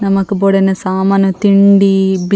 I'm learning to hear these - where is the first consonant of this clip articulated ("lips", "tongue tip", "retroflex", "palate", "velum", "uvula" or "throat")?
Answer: tongue tip